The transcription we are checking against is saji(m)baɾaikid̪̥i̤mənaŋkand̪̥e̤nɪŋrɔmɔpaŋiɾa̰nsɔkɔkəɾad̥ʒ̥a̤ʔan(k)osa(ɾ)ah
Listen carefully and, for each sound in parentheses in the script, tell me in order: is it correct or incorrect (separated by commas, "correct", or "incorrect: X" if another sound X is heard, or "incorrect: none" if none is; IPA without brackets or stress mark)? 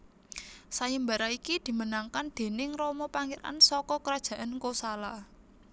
correct, correct, incorrect: l